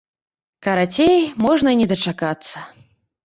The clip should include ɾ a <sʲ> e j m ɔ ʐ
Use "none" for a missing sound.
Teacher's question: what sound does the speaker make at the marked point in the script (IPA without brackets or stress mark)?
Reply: t͡sʲ